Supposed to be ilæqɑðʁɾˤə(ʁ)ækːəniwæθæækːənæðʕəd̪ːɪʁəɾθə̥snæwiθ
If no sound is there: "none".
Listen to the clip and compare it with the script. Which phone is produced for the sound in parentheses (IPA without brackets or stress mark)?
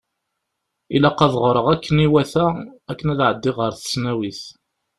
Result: ʁ